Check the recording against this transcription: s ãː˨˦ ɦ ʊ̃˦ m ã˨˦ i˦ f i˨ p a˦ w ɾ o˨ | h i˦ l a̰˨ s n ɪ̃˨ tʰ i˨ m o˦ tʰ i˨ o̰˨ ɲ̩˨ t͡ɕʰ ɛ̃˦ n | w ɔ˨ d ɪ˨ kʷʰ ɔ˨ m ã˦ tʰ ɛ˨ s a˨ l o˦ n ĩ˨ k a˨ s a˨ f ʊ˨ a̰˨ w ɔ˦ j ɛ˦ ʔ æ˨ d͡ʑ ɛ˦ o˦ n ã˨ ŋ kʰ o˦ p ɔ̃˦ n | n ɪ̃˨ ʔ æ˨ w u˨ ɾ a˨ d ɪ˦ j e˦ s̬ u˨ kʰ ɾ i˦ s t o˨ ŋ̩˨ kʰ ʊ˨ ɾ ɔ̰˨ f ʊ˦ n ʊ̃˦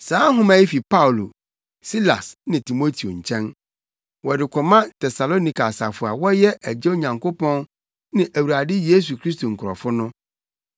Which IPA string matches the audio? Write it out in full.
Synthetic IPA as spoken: s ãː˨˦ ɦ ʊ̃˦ m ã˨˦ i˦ f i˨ p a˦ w l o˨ | s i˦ l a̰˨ s n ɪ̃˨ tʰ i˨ m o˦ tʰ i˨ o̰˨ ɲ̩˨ t͡ɕʰ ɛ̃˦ n | w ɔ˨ d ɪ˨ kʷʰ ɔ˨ m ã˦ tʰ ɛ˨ s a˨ l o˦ n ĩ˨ k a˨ s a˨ f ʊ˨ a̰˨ w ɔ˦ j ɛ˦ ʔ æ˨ d͡ʑ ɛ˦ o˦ ɲ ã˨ ŋ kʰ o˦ p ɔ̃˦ n | n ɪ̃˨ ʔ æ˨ w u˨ ɾ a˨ d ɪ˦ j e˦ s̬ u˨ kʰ ɾ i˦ s t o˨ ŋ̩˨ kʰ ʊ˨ ɾ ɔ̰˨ f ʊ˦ n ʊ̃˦

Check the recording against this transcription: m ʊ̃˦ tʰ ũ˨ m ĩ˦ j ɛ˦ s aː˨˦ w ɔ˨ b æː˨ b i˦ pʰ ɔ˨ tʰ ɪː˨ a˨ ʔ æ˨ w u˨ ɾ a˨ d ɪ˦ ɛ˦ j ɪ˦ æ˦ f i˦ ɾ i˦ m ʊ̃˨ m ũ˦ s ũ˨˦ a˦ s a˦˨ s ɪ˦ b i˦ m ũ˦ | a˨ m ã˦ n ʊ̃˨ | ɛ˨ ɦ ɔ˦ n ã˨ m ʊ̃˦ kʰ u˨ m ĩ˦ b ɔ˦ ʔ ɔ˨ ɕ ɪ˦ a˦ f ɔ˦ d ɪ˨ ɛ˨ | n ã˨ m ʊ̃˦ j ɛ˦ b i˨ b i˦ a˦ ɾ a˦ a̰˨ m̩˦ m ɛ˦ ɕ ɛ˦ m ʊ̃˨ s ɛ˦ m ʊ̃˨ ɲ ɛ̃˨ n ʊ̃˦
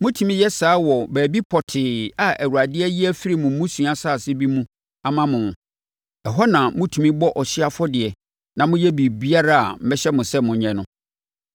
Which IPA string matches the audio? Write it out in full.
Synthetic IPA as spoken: m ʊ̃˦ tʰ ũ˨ m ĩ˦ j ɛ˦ s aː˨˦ w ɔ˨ b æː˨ b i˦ pʰ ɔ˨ tʰ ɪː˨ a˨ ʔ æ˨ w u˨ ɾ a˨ d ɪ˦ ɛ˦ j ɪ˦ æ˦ f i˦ ɾ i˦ m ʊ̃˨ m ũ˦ s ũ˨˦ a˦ s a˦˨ s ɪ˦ b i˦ m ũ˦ | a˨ m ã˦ m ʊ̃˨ | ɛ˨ ɦ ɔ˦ n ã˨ m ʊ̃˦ tʰ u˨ m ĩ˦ b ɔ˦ ʔ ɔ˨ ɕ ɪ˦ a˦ f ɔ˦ d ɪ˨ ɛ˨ | n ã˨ m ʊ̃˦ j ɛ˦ b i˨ b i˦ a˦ ɾ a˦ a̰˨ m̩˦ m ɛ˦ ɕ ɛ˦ m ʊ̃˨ s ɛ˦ m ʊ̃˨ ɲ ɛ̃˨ n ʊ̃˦

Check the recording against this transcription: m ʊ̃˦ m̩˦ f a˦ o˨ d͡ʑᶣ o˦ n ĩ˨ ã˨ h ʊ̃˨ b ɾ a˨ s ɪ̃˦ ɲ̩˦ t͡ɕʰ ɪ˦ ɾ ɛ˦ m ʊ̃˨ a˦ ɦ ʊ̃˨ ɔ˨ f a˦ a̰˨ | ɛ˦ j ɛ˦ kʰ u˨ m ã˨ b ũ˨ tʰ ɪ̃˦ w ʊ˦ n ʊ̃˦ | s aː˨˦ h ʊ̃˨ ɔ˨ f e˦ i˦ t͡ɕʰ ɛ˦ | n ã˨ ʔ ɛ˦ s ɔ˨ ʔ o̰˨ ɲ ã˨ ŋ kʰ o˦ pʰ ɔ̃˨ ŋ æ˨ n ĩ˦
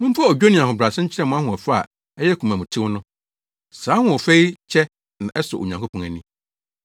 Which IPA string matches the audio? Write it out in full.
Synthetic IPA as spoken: m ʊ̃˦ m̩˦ f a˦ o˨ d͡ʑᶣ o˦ n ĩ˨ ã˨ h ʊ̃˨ b ɾ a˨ s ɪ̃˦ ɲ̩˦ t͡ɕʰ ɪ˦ ɾ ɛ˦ m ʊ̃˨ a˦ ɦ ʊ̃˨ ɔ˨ f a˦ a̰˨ | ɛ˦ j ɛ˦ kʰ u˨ m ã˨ m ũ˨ tʰ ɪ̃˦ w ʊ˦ n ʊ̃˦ | s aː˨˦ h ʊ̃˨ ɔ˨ f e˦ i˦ t͡ɕʰ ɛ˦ | n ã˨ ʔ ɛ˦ s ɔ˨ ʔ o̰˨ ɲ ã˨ ŋ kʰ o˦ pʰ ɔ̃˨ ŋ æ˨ n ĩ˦

